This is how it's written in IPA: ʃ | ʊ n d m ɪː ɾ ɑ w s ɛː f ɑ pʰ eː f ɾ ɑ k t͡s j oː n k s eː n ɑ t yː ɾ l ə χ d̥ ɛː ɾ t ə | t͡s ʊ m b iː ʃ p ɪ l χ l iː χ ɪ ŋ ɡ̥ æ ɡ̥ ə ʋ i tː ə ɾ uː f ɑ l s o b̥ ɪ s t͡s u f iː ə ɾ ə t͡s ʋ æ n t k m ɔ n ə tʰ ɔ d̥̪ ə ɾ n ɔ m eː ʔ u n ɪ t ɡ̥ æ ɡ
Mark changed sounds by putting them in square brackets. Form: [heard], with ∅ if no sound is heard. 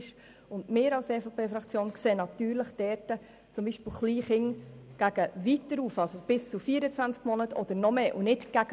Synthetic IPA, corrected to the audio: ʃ | ʊ n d m ɪː ɾ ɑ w s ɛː f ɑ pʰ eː f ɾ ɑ k t͡s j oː n k s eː n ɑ t yː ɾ l ə χ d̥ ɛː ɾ t ə | t͡s ʊ m b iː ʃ p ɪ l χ l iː χ ɪ ŋ ɡ̥ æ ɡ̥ ə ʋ i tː ə ɾ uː f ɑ l s o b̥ ɪ s t͡s u f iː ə ɾ ə t͡s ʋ æ n [t͡s] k m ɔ n ə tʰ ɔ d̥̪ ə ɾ n ɔ m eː ʔ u n ɪ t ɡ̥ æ ɡ